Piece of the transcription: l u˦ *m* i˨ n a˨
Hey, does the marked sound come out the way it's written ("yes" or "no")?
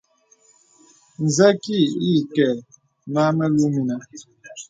yes